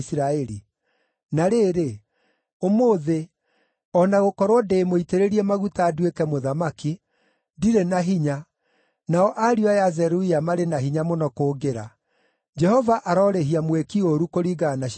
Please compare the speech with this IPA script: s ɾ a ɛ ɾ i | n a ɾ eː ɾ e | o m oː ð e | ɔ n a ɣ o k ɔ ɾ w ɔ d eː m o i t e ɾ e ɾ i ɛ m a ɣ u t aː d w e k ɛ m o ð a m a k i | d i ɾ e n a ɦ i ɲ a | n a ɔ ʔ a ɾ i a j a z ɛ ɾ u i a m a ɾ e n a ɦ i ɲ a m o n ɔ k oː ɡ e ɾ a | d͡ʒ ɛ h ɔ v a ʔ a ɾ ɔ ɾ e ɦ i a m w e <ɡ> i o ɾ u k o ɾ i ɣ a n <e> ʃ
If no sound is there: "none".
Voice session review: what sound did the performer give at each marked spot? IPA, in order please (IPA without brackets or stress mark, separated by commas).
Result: k, a